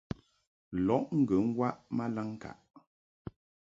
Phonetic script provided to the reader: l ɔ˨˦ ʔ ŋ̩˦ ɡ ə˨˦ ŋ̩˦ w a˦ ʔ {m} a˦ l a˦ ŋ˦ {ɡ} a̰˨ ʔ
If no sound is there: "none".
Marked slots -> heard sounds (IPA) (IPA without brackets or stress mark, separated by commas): m, k